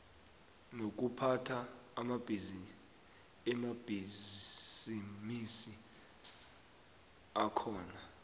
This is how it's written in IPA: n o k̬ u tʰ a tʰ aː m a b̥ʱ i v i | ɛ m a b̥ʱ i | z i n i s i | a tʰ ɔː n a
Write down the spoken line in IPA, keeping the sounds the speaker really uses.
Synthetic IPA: n o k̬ u pʰ a tʰ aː m a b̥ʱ i z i | ɛ m a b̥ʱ i | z i m i s i | a kʰ ɔː n a